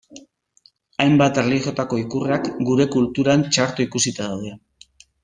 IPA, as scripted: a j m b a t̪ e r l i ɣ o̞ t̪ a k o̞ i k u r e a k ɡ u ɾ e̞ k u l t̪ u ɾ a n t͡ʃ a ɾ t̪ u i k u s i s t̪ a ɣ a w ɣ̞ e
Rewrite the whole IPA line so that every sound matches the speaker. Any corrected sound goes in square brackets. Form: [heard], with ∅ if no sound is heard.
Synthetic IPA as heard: a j m b a t̪ e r l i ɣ o̞ t̪ a k o̞ i k u r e a k ɡ u ɾ e̞ k u l t̪ u ɾ a n t͡ʃ a ɾ t̪ u i k u s i [∅] t̪ a [ð] a w [ð̞] e

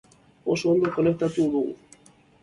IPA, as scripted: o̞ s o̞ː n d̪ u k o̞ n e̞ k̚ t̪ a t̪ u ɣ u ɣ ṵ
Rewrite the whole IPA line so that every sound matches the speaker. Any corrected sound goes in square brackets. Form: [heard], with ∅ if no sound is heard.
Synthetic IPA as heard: o̞ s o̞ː n d̪ [o] k o̞ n e̞ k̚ t̪ a t̪ u [ð] u ɣ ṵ

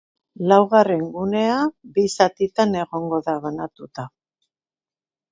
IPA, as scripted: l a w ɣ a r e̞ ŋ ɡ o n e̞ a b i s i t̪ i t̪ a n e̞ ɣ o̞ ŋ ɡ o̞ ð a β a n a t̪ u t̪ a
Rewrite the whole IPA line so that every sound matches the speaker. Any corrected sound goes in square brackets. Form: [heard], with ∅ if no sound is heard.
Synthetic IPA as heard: l a w ɣ a r e̞ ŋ ɡ [u] n e̞ a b i s [a] t̪ i t̪ a n e̞ ɣ o̞ ŋ ɡ o̞ ð a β a n a t̪ u t̪ a

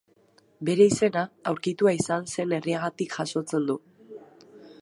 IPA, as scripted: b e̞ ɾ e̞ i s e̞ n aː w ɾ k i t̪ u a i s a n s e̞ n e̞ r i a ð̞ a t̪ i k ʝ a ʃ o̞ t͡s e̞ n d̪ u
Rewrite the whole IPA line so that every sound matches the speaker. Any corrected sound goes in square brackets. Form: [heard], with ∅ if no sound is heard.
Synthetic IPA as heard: b e̞ ɾ e̞ i s e̞ n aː w ɾ k i t̪ u a i s a n s e̞ n e̞ r i a [ɣ̞] a t̪ i k ʝ a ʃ o̞ t͡s e̞ n d̪ u

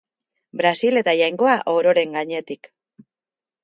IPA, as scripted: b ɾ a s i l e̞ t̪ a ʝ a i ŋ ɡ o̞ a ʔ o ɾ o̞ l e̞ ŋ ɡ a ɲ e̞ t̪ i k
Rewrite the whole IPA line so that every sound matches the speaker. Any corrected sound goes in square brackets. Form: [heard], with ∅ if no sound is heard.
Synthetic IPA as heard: b ɾ a s i l e̞ t̪ a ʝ a [j] ŋ ɡ o̞ a ʔ o ɾ o̞ [ɾ] e̞ ŋ ɡ a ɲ e̞ t̪ i k

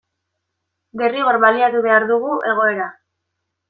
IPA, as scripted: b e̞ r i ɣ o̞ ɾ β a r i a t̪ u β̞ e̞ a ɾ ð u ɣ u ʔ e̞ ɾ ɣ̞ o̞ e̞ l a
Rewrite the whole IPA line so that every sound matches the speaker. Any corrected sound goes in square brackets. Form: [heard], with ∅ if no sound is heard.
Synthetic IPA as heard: b e̞ r i ɣ o̞ ɾ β a [l] i a t̪ u β̞ e̞ a ɾ ð u ɣ u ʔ e̞ [∅] ɣ̞ o̞ e̞ [ɾ] a

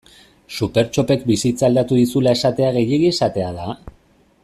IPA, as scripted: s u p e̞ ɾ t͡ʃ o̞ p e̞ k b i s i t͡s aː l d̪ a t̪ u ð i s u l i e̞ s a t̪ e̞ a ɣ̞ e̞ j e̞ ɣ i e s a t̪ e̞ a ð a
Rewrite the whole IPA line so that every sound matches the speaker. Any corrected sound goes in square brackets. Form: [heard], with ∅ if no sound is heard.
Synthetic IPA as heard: s u p e̞ ɾ t͡ʃ o̞ p e̞ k b i s i t͡s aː l d̪ a t̪ u ð i s u l [a] e̞ s a t̪ e̞ a ɣ̞ e̞ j e̞ ɣ i e s a t̪ e̞ a ð a

